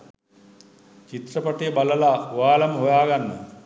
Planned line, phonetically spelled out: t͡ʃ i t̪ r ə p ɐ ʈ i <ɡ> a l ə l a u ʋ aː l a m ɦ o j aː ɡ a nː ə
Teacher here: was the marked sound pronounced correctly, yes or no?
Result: no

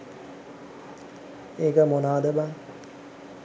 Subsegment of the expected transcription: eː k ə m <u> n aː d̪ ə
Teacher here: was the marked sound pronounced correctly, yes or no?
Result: no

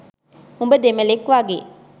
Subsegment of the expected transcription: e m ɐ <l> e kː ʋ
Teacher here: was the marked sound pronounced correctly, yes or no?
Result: yes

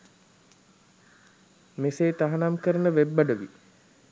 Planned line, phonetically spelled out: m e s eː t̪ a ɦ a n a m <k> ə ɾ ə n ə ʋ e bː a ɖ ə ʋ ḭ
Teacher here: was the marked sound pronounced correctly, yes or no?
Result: yes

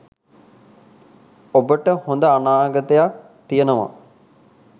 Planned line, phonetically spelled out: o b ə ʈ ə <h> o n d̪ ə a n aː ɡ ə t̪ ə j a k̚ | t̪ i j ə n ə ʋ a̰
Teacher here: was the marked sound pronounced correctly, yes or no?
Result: yes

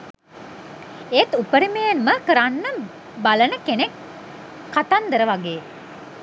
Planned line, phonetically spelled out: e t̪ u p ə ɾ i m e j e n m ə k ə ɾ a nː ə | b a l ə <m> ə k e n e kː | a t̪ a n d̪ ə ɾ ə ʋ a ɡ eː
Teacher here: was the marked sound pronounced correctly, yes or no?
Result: no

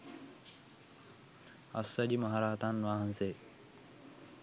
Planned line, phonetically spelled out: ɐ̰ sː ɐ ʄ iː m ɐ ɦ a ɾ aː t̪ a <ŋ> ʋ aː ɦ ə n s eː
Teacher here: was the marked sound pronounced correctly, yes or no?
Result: no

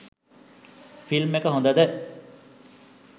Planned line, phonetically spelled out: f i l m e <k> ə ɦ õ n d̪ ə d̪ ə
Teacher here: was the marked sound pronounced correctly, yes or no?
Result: yes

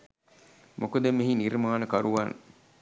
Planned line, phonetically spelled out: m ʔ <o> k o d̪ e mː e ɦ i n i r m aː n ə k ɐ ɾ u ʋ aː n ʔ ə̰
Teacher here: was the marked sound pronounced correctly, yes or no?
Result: yes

